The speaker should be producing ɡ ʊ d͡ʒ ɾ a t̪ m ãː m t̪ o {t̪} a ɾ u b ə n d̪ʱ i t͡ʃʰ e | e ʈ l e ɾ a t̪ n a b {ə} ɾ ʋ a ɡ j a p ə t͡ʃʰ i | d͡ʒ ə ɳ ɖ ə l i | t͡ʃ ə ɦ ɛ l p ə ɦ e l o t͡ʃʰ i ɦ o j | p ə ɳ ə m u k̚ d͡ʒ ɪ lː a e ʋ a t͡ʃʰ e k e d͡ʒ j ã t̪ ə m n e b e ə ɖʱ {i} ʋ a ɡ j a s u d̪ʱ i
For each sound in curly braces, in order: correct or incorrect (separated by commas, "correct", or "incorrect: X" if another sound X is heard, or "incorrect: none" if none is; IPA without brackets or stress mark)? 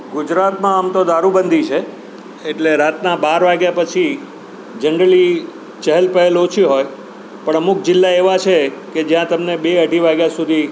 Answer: incorrect: d̪, incorrect: a, correct